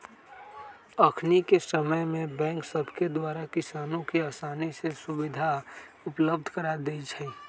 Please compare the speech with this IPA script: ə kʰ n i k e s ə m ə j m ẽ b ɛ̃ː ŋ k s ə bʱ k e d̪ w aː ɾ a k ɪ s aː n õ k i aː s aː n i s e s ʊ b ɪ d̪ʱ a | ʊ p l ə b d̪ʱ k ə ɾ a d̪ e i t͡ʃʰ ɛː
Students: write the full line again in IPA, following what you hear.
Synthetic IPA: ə kʰ n i k e s ə m ə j m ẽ b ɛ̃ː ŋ k s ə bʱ k e d̪ w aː ɾ a k ɪ s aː n õ k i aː s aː n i s e s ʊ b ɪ d̪ʱ a | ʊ p l ə b d̪ʱ k ə ɾ a d̪ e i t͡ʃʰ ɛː